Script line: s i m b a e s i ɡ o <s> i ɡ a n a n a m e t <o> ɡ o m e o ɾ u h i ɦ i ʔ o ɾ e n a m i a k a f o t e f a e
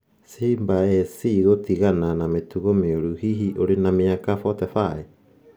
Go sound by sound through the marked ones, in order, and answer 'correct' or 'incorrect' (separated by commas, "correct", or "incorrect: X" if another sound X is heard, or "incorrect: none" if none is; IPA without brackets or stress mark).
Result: incorrect: t, incorrect: u